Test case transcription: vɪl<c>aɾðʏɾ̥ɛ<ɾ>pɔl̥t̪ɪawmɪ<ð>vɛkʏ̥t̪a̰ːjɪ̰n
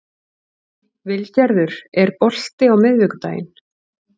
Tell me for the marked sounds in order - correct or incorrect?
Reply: correct, correct, correct

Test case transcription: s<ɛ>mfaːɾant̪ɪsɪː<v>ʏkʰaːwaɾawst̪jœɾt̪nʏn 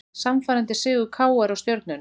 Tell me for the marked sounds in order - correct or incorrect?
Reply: incorrect: a, incorrect: ɣ

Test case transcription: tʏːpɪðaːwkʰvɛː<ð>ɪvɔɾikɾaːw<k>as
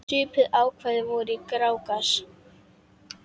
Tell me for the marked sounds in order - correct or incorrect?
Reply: correct, correct

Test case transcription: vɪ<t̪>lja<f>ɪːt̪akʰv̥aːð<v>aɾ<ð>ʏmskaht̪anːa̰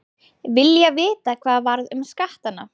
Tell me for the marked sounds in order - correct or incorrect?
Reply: incorrect: none, incorrect: v, correct, correct

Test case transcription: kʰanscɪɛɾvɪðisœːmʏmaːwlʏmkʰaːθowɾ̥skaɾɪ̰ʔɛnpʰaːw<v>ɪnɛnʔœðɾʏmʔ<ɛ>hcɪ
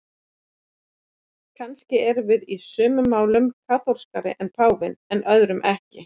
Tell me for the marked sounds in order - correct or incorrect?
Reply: correct, correct

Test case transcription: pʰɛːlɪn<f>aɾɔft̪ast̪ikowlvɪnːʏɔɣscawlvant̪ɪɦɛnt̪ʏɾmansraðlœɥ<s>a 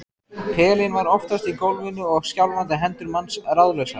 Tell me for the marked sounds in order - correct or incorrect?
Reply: incorrect: v, correct

